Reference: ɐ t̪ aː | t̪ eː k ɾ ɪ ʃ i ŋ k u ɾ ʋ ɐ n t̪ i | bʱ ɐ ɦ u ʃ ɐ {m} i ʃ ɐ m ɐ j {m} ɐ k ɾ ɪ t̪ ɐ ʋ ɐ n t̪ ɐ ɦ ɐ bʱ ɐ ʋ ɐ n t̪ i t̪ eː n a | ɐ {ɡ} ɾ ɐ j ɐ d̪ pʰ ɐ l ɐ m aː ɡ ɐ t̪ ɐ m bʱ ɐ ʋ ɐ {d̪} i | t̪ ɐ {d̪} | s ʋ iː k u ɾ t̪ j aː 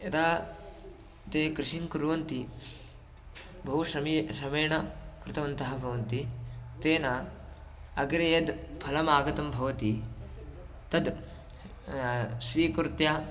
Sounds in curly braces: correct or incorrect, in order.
correct, incorrect, correct, incorrect, correct

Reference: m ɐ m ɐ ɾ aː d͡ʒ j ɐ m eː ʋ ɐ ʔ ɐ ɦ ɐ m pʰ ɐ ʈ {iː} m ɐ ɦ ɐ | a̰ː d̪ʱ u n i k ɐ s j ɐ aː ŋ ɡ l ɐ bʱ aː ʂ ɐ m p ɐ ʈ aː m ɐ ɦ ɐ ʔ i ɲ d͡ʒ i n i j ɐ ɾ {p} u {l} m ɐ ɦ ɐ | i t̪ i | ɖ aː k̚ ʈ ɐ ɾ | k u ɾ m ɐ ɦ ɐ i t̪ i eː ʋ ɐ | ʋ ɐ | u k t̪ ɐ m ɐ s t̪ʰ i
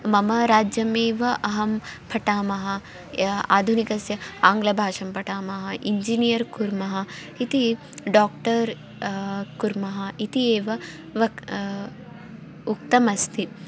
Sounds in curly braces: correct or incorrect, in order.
incorrect, incorrect, incorrect

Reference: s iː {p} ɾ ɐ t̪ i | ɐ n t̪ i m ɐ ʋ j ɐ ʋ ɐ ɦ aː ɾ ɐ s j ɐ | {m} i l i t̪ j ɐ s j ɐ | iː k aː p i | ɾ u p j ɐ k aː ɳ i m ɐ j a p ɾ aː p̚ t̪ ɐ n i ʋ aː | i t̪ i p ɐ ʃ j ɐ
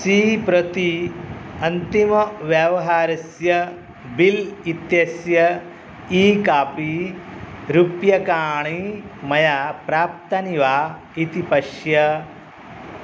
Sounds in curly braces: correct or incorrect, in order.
correct, incorrect

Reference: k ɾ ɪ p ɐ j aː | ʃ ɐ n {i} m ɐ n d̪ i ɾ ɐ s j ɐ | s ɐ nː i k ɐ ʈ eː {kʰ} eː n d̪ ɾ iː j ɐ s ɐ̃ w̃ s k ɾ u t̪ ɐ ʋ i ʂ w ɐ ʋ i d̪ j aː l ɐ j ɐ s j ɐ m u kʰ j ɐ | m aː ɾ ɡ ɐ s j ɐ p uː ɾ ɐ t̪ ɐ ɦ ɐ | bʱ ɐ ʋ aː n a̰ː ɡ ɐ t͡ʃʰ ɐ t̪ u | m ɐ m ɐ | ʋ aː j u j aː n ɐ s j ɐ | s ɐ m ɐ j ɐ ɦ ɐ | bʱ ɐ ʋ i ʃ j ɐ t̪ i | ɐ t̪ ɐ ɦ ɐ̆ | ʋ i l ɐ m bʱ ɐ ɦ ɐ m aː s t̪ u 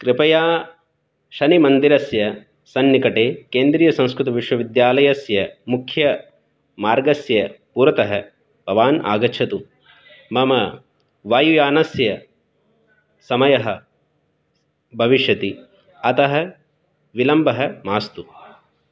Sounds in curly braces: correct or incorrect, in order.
correct, incorrect

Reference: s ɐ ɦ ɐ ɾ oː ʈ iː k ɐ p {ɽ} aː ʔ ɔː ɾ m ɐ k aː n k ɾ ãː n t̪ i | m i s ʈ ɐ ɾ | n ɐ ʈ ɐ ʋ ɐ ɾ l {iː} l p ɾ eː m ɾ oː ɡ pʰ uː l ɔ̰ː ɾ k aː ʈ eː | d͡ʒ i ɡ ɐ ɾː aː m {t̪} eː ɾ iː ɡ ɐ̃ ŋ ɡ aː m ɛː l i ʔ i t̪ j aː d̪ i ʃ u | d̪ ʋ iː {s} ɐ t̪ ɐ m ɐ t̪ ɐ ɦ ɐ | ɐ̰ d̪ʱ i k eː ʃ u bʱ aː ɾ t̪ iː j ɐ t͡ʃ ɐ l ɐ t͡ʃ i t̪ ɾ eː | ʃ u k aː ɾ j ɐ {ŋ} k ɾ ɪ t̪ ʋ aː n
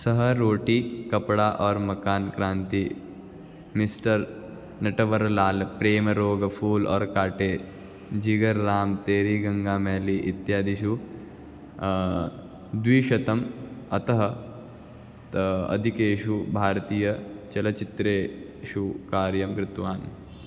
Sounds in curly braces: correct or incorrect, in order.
correct, incorrect, correct, incorrect, incorrect

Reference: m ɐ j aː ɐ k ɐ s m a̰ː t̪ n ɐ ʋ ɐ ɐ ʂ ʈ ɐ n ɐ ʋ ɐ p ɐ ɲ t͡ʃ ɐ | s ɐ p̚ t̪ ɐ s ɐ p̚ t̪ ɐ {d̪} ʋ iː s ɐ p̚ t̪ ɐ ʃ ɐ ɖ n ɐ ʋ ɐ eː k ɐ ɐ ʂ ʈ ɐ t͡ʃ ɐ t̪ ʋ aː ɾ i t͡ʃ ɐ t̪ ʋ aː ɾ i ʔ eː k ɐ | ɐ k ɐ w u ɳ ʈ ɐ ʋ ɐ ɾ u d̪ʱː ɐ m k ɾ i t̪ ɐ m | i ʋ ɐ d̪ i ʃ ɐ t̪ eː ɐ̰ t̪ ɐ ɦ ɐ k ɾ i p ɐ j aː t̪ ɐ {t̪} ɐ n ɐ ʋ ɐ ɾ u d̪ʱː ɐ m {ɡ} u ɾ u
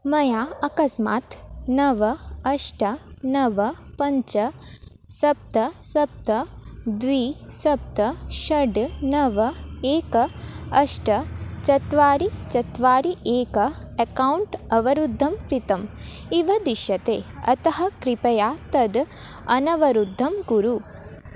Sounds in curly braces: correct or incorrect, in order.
correct, incorrect, correct

